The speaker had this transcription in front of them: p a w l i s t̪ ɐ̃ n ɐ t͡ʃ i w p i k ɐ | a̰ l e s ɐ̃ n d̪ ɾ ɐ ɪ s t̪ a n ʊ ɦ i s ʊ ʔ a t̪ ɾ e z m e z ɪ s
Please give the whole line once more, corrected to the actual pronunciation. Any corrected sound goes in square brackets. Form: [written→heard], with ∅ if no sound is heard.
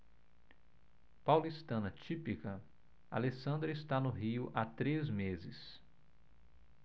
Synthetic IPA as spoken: p a w l i s t̪ ɐ̃ n ɐ t͡ʃ i [w→∅] p i k ɐ | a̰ l e s ɐ̃ n d̪ ɾ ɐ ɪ s t̪ a n ʊ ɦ i [s→∅] ʊ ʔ a t̪ ɾ e z m e z ɪ s